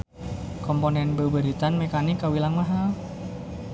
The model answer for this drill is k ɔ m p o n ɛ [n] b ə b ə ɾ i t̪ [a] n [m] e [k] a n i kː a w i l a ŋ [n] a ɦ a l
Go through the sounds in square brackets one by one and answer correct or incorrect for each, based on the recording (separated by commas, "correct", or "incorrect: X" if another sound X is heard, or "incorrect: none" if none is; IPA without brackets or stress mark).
correct, correct, correct, correct, incorrect: m